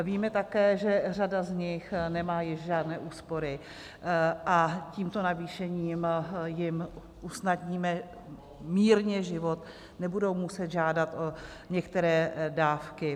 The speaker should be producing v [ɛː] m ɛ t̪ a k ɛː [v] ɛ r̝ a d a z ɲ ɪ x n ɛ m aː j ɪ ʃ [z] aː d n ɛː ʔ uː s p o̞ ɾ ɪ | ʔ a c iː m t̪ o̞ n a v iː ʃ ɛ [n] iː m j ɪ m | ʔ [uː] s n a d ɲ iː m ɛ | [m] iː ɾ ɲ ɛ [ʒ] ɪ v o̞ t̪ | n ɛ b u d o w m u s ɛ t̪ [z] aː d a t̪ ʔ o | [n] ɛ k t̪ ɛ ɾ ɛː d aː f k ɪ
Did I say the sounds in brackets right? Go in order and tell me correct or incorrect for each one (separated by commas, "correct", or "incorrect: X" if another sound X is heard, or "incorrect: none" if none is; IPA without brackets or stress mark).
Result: incorrect: iː, incorrect: ʒ, incorrect: ʒ, incorrect: ɲ, incorrect: u, correct, correct, incorrect: ʒ, incorrect: ɲ